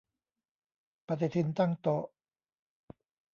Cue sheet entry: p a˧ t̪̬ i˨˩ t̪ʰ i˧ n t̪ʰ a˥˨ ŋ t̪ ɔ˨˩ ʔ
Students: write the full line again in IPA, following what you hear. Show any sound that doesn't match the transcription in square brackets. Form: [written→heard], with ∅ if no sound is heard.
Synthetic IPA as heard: p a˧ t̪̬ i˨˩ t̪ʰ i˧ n [t̪ʰ→t̪] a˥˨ ŋ t̪ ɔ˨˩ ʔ